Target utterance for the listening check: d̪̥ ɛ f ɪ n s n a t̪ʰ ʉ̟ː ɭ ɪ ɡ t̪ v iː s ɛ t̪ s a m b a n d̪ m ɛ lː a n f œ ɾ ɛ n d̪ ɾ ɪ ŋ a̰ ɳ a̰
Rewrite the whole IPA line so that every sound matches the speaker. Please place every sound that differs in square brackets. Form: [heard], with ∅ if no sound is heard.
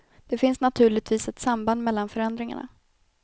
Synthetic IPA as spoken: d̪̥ ɛ f ɪ n s n a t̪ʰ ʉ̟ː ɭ ɪ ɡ t̪ v iː s ɛ t̪ s a m b a n d̪ m ɛ lː a n f œ ɾ ɛ n d̪ ɾ ɪ ŋ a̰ ɳ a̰